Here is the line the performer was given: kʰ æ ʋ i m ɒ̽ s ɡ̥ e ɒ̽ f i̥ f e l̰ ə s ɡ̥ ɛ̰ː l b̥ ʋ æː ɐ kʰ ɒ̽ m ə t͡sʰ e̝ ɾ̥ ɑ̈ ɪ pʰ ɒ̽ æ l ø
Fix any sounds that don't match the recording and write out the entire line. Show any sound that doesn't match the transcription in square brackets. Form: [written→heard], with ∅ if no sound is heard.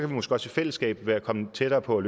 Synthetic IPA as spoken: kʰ æ ʋ i m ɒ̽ s ɡ̥ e ɒ̽ [f→s] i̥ f e l̰ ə s ɡ̥ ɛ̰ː [l→∅] b̥ ʋ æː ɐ kʰ ɒ̽ m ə t͡sʰ e̝ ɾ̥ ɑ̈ ɪ pʰ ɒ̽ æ l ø